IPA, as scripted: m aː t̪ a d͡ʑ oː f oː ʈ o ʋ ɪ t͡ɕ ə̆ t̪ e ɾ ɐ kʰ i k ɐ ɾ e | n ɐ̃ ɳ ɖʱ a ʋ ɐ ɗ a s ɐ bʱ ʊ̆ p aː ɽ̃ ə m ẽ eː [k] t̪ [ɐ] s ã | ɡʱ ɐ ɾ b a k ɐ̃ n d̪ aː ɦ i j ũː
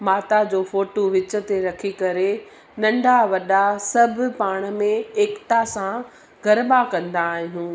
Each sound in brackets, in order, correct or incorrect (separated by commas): correct, incorrect